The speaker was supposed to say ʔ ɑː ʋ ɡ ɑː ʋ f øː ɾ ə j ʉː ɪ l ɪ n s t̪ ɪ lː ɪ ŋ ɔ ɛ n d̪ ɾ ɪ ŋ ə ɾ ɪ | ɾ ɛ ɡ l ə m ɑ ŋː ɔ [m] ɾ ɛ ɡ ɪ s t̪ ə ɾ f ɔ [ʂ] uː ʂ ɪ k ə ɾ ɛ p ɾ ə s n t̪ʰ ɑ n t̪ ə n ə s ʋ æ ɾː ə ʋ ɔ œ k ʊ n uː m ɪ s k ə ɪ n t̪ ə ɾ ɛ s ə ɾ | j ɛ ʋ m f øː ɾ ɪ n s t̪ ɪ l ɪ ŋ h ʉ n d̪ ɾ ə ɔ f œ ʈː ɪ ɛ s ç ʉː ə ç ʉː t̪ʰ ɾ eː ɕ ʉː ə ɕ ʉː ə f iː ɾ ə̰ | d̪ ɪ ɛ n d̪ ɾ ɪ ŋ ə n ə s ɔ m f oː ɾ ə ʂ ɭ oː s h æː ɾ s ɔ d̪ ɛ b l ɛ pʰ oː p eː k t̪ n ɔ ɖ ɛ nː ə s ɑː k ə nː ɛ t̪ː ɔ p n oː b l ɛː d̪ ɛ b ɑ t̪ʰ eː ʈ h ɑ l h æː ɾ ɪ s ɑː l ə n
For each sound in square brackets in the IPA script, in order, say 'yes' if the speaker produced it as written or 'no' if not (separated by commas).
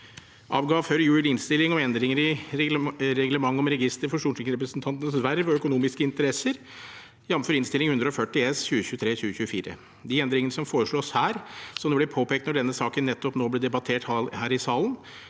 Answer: yes, yes